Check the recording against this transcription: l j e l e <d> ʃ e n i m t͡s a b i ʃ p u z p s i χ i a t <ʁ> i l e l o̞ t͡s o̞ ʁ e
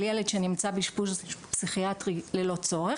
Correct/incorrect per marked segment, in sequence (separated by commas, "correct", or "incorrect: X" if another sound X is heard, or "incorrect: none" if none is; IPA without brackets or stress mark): correct, correct